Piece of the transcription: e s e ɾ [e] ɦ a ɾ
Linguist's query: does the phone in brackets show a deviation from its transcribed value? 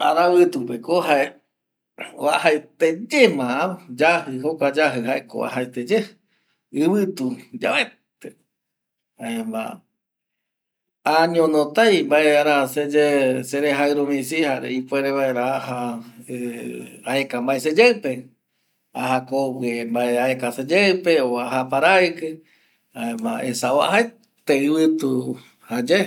no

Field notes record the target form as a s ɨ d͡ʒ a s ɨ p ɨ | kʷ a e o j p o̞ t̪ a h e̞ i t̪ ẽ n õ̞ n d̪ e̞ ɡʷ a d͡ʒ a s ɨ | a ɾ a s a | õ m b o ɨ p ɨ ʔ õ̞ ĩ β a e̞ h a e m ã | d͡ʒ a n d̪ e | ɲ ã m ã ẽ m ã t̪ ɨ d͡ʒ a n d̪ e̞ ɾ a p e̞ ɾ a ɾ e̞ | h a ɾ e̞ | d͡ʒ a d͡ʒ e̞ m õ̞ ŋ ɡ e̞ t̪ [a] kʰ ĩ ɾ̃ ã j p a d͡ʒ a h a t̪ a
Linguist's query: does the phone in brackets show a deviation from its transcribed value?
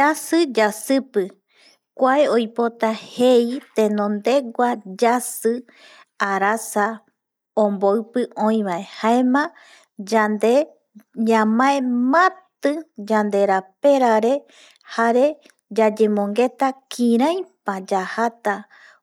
no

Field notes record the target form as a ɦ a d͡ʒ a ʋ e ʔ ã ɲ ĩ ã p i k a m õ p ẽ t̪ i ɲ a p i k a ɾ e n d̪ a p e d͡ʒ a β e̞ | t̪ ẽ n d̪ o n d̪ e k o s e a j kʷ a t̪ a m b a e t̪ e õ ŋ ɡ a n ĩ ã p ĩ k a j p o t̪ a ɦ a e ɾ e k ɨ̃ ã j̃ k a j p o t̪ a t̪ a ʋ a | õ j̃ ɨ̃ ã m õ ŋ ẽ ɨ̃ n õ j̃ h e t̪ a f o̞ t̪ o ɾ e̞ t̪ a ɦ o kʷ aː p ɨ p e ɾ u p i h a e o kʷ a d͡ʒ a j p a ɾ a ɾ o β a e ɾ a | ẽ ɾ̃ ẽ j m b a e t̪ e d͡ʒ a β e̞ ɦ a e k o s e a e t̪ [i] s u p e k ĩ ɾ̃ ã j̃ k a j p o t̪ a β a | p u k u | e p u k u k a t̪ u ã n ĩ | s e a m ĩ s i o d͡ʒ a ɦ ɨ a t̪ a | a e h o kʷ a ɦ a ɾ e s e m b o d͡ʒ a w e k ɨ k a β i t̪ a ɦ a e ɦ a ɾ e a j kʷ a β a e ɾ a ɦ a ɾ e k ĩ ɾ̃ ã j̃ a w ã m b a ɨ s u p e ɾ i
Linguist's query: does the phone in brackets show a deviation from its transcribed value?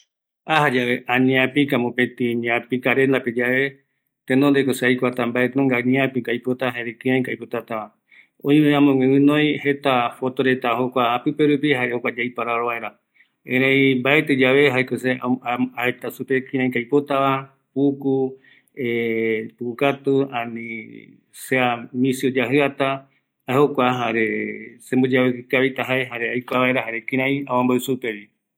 yes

